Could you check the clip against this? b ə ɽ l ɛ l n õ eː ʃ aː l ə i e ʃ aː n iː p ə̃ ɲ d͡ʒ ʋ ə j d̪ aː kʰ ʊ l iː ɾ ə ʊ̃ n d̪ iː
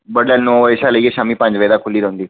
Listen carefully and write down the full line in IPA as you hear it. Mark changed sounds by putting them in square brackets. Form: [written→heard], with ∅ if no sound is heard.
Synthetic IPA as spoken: b ə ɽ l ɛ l n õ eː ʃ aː l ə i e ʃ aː [n→m] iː p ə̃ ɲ d͡ʒ ʋ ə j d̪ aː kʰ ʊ l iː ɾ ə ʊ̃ n d̪ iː